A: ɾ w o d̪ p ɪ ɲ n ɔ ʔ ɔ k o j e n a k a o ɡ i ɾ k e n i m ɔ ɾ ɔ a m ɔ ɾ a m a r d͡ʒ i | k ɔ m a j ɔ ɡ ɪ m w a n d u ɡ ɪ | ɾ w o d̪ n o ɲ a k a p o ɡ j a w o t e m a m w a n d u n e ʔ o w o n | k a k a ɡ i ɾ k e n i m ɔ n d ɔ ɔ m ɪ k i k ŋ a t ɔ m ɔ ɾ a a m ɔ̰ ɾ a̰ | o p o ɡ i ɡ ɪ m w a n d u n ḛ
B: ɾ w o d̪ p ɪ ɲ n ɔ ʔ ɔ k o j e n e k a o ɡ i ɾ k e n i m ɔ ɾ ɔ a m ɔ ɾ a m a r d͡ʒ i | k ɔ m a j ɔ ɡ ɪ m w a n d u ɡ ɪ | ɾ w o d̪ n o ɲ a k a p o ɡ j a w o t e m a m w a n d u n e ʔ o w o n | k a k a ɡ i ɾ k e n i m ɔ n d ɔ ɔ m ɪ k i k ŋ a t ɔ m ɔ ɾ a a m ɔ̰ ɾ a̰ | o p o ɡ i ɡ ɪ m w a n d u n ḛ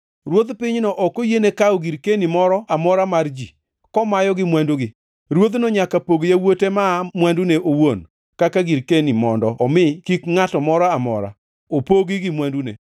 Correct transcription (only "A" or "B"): B